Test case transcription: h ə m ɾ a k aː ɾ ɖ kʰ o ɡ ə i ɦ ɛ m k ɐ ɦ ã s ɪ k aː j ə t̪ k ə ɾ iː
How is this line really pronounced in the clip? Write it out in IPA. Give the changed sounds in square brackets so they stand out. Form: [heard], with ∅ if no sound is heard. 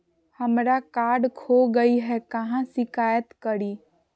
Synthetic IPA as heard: h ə m ɾ a k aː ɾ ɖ kʰ o ɡ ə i ɦ ɛ [∅] k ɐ ɦ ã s ɪ k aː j ə t̪ k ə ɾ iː